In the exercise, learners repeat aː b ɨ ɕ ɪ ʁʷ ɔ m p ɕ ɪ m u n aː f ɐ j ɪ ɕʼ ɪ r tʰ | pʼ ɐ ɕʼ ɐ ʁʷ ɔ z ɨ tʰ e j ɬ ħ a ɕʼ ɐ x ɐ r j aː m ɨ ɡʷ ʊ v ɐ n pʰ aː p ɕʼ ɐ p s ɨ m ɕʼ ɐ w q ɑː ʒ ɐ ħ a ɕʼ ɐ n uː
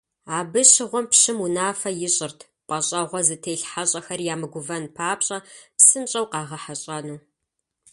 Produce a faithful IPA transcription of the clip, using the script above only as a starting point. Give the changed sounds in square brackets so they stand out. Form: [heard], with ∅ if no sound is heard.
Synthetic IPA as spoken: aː b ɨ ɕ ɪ ʁʷ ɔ m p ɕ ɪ m u n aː f ɐ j ɪ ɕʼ ɪ r tʰ | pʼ ɐ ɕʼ ɐ ʁʷ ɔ z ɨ tʰ e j ɬ ħ a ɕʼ ɐ x ɐ r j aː m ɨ ɡʷ ʊ v ɐ n pʰ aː p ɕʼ ɐ p s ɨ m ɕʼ ɐ w q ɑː [ʁ] ɐ ħ a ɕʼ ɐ n uː